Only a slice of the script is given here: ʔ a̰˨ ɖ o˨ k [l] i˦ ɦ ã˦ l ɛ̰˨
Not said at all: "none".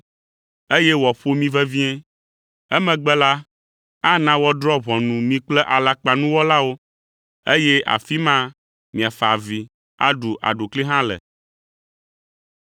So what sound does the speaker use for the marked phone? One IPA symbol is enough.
l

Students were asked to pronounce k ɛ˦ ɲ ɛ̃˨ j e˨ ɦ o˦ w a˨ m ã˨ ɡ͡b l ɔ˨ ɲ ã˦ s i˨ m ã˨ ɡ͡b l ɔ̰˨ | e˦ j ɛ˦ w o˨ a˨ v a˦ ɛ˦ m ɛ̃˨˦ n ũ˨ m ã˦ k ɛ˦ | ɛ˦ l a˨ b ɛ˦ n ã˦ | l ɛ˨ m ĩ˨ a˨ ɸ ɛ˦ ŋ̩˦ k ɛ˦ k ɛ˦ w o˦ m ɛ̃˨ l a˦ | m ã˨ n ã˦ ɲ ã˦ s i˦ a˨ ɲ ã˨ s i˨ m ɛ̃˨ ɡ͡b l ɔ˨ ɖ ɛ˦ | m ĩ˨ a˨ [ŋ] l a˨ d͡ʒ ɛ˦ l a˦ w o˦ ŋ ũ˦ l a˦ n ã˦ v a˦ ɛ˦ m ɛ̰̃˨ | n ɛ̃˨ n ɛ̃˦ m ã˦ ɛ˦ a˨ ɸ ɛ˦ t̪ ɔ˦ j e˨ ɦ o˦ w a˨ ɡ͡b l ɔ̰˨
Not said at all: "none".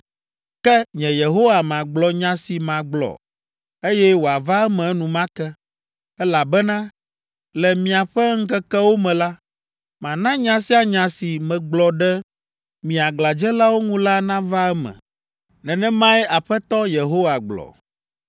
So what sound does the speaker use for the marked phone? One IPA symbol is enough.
ɡ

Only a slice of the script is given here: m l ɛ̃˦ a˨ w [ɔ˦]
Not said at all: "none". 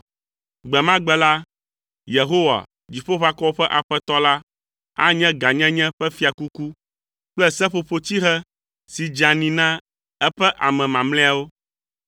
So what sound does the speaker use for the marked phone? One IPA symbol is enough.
o˦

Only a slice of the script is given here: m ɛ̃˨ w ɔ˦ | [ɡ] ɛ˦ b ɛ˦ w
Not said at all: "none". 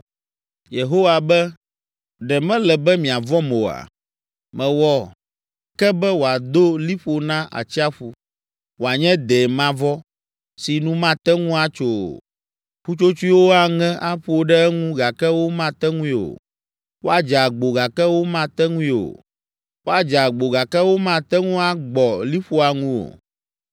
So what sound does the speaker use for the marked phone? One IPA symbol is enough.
k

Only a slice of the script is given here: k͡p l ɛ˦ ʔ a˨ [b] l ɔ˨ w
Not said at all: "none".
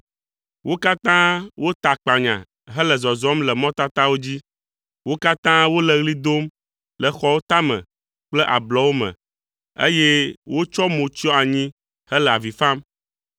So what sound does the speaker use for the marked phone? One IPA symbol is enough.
b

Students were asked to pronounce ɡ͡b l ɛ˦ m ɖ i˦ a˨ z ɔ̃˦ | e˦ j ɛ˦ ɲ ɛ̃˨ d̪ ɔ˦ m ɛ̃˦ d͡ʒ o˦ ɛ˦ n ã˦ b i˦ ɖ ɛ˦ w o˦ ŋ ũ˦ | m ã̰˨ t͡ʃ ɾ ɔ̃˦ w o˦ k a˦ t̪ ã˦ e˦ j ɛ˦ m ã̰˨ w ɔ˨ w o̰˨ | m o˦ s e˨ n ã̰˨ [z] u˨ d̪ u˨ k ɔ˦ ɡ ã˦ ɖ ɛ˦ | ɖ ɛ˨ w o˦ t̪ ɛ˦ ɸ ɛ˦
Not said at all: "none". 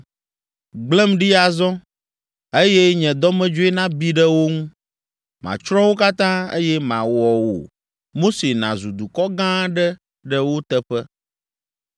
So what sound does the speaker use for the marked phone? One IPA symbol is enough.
z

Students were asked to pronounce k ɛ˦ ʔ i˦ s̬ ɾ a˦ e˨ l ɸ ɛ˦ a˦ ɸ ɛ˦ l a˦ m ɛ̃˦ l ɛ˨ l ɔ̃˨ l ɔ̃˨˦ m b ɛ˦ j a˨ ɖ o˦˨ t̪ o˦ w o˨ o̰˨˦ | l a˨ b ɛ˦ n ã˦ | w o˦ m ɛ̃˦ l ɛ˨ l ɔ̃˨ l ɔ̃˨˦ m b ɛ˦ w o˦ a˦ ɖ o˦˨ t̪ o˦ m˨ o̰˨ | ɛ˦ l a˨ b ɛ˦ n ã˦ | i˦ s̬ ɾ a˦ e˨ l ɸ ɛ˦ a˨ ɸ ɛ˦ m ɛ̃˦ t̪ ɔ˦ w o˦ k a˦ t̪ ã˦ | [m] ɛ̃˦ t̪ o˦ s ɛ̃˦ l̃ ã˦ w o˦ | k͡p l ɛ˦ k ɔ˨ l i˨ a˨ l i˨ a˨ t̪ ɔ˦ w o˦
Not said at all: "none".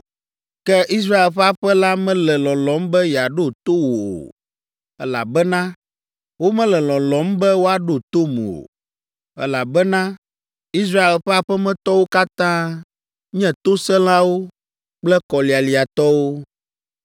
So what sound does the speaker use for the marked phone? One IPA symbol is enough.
ɲ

